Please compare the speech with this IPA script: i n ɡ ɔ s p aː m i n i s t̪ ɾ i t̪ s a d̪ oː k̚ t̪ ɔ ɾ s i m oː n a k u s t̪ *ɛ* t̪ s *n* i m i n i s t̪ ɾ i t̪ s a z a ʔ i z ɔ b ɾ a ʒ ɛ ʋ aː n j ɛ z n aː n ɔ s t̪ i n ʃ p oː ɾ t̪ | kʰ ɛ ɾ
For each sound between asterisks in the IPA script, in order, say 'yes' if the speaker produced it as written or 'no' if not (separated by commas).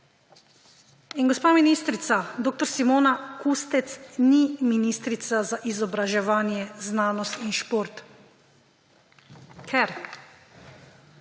yes, yes